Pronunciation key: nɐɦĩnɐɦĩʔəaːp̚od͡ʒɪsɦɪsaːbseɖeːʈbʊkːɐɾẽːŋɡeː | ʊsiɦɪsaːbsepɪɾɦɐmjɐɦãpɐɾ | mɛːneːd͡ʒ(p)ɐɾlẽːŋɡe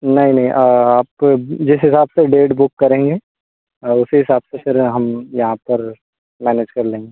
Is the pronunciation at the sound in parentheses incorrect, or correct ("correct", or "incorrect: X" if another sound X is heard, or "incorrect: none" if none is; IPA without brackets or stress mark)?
incorrect: k